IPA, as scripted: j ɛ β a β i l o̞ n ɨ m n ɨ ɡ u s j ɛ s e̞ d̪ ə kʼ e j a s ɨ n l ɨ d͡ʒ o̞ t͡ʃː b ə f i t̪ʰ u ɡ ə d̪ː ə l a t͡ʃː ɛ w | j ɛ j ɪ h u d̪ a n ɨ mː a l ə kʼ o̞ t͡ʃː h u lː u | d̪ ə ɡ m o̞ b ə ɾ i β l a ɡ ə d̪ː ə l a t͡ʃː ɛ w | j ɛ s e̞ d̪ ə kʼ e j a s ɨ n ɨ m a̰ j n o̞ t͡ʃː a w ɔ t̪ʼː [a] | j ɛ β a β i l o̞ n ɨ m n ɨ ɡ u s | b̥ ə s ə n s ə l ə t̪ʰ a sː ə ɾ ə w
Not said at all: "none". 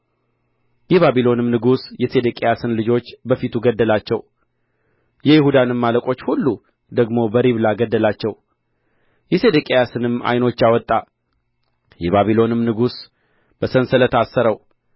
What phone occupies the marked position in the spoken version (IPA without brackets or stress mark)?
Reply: a